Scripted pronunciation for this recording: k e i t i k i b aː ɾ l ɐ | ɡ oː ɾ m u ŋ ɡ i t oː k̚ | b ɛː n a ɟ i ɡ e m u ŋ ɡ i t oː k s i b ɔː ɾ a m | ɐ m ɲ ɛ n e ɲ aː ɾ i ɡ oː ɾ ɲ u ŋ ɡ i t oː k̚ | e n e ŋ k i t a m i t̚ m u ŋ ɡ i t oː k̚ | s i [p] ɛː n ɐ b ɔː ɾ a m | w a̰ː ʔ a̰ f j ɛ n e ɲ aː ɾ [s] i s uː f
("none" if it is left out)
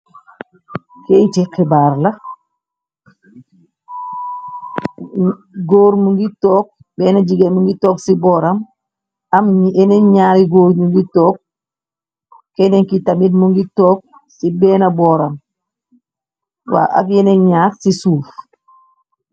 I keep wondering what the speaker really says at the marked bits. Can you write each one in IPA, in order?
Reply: b, s

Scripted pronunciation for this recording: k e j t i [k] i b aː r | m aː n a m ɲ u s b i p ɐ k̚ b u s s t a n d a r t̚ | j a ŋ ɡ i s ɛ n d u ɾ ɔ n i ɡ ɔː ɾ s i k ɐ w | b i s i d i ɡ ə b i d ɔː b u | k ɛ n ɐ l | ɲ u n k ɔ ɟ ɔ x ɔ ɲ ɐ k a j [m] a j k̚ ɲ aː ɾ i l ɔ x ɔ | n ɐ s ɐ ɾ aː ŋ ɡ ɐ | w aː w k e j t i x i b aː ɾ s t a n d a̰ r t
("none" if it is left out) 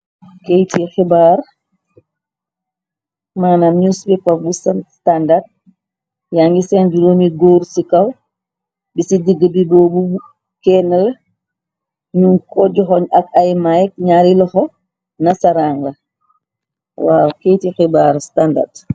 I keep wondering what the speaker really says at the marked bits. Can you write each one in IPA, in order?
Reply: x, m

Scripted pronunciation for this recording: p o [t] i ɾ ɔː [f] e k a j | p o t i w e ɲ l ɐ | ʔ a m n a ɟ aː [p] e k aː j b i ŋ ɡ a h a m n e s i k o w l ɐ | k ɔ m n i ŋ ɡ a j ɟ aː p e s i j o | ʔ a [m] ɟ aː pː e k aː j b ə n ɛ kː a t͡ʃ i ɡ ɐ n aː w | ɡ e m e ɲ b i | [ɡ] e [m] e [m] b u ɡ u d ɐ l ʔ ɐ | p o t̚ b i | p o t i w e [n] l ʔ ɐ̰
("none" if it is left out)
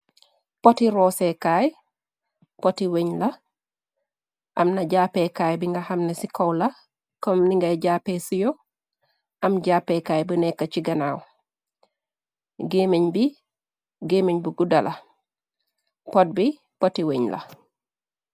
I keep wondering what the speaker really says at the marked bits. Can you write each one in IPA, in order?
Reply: t, s, p, m, ɡ, m, ɲ, ɲ

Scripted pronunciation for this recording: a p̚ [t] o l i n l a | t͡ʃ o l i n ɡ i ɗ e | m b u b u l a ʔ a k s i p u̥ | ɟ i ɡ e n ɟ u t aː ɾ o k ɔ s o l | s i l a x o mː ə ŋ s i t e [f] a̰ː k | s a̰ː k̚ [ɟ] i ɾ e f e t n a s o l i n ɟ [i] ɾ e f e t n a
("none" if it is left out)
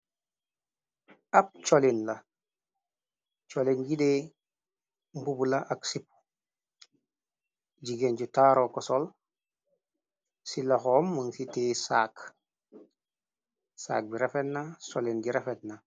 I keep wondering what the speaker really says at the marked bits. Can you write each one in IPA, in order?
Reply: t͡ʃ, s, b, i

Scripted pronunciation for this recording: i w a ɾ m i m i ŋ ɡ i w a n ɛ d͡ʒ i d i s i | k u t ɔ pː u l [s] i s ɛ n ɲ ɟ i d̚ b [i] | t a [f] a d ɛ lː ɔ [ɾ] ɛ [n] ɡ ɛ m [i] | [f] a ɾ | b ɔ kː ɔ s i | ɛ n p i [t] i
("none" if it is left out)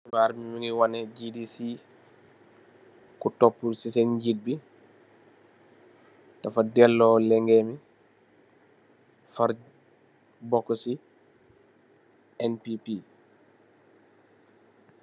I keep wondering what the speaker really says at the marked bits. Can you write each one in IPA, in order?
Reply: s, i, f, l, ŋ, i, f, p

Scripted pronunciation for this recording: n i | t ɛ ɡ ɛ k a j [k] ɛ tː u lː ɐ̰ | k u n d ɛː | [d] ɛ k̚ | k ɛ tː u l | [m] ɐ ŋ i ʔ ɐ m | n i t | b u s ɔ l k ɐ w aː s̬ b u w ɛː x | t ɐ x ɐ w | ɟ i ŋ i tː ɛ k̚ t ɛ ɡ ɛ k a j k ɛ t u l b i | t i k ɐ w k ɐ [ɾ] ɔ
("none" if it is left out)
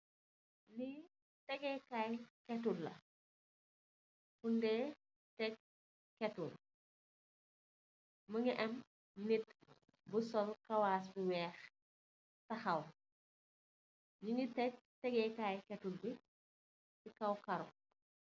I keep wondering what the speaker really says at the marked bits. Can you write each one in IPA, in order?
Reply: k, t, m, ɾ

